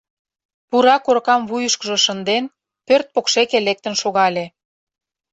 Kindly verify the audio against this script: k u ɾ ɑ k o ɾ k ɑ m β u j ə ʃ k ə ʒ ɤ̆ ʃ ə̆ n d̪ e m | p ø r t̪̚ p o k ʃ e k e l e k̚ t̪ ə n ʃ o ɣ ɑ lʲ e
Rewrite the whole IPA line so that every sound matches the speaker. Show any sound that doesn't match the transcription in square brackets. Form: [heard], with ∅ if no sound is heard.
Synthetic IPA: [p] u ɾ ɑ k o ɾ k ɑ m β u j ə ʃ k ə ʒ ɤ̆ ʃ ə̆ n d̪ e [n] | p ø r t̪̚ p o k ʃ e k e l e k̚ t̪ ə n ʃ o ɣ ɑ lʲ e